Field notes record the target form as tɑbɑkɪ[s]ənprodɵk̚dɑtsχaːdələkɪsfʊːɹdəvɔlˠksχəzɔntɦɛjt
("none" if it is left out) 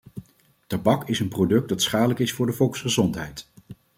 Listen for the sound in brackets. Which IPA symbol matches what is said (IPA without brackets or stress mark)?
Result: s